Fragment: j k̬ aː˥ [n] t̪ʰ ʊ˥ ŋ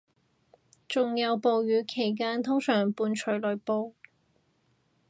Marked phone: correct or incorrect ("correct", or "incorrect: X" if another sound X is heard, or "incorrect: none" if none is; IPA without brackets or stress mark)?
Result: correct